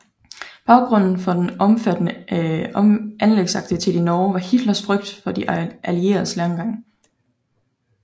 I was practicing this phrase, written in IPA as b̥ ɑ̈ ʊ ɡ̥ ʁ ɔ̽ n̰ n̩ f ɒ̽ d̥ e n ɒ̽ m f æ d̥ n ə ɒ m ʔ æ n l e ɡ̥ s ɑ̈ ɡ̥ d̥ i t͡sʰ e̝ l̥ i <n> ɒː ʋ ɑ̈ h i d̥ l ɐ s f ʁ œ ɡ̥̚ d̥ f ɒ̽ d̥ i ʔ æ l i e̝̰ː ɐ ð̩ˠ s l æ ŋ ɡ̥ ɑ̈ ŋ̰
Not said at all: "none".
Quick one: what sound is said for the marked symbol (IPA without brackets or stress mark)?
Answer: n